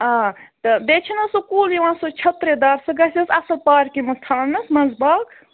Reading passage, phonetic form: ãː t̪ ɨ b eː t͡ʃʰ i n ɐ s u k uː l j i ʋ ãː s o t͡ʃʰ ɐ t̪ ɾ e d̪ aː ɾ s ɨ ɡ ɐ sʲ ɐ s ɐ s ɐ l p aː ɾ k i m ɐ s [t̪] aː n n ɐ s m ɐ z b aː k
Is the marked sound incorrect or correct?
incorrect